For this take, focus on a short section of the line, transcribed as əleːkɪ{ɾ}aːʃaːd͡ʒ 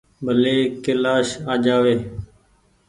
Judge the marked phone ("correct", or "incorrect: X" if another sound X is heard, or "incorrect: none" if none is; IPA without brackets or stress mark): incorrect: l